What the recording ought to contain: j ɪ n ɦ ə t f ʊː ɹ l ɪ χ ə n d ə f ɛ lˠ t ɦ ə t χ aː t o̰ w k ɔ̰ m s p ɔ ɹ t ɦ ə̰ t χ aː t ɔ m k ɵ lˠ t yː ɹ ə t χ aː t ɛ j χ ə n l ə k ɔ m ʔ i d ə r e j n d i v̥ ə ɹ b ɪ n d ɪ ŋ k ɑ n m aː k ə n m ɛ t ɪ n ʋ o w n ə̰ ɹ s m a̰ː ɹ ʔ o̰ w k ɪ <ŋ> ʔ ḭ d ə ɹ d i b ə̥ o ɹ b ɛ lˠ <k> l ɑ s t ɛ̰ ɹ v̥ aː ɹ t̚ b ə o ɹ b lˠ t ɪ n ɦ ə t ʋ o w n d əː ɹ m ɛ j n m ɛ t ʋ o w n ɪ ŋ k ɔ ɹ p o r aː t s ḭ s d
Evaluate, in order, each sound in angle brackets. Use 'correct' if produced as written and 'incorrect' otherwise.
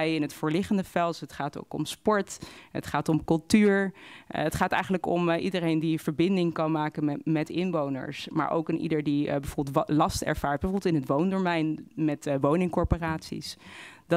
incorrect, incorrect

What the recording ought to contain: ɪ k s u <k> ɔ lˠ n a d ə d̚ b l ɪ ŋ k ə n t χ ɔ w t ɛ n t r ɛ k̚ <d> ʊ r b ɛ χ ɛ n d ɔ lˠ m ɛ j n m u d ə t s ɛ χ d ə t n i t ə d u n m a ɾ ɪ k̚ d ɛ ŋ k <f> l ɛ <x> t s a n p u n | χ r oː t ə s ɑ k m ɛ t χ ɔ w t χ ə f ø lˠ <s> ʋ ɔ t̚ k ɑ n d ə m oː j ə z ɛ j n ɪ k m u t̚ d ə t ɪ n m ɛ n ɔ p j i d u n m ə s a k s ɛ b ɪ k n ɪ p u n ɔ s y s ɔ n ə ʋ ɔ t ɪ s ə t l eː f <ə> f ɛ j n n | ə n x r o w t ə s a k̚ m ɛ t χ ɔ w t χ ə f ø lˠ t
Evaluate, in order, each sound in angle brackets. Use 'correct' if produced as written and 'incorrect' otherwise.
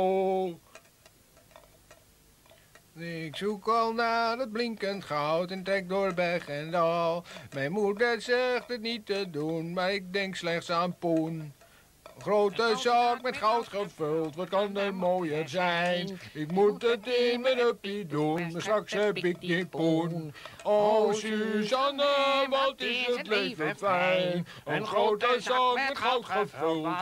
correct, correct, incorrect, incorrect, incorrect, correct

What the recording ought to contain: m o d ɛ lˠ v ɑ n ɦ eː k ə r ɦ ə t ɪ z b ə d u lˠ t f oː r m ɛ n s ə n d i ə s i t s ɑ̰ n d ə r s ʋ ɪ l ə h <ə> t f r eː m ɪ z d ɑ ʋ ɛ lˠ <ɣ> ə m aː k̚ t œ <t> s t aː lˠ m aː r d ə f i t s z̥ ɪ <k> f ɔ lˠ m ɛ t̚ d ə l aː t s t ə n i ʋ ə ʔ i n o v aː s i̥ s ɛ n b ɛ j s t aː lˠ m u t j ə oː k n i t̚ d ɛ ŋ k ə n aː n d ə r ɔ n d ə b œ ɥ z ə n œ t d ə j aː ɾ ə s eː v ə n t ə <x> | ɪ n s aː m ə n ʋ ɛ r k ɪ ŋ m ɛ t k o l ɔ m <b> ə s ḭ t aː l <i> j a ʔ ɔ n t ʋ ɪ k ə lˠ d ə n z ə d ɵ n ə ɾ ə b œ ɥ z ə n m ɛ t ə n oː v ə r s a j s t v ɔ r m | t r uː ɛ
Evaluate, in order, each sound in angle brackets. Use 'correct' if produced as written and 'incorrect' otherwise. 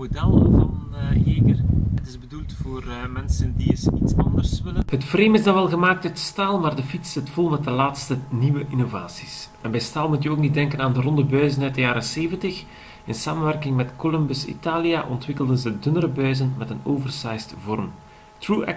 correct, correct, correct, incorrect, correct, correct, correct

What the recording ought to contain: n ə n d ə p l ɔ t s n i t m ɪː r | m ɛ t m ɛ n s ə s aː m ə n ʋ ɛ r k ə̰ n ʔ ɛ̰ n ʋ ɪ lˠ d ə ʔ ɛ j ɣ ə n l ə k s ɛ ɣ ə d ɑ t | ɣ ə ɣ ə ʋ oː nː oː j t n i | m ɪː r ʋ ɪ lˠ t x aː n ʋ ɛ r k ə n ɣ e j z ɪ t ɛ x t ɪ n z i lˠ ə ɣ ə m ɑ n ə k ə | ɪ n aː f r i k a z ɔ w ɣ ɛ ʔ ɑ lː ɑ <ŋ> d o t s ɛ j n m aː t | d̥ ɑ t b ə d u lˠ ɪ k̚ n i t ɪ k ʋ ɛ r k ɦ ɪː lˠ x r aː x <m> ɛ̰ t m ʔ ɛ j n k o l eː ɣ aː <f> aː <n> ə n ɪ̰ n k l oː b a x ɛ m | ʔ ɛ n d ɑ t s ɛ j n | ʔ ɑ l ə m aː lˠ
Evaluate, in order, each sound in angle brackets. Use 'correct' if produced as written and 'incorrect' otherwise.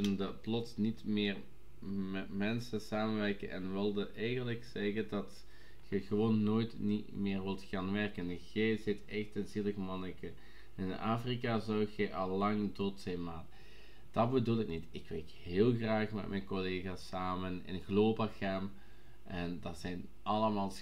correct, correct, incorrect, incorrect

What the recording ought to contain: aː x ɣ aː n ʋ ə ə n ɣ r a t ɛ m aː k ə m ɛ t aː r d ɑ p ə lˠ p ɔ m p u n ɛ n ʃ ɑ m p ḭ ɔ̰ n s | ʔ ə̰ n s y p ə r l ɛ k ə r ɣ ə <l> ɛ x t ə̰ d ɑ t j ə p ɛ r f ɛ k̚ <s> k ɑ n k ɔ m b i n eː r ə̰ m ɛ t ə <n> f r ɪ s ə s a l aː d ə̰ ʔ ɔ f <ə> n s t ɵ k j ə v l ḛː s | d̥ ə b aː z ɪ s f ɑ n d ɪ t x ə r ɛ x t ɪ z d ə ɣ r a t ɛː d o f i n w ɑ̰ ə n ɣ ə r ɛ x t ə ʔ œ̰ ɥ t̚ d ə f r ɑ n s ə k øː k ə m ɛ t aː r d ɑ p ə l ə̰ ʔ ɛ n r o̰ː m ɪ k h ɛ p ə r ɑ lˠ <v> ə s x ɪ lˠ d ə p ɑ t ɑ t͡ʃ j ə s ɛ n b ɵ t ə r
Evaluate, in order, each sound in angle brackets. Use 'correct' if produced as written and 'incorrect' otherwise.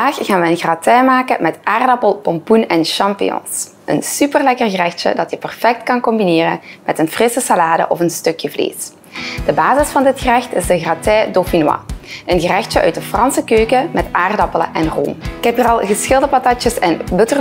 incorrect, incorrect, correct, correct, incorrect

